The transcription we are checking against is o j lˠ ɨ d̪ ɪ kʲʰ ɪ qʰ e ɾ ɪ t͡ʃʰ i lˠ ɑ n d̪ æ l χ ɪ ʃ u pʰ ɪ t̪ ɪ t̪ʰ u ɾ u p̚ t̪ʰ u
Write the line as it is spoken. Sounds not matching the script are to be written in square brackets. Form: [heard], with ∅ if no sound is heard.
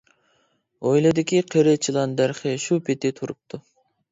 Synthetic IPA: o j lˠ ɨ d̪ ɪ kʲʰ [i] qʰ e ɾ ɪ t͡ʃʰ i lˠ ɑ n d̪ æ [ɾ] χ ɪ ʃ u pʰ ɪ t̪ ɪ t̪ʰ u ɾ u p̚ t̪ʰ u